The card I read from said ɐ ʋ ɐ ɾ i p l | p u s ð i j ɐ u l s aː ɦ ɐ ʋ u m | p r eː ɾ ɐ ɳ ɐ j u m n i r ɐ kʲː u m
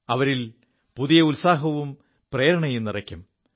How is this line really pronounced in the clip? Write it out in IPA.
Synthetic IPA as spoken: ɐ ʋ ɐ ɾ i l | p u ð i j ɐ u l s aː ɦ ɐ ʋ u m | p r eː ɾ ɐ ɳ ɐ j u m n i r ɐ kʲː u m